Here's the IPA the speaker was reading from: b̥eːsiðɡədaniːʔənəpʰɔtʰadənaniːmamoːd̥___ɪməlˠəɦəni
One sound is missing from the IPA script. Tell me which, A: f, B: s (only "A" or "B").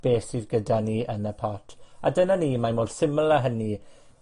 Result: B